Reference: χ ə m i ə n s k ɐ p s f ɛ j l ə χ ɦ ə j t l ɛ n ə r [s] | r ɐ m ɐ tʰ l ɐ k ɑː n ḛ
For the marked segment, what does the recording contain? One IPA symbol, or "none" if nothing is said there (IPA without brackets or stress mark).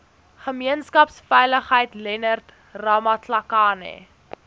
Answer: t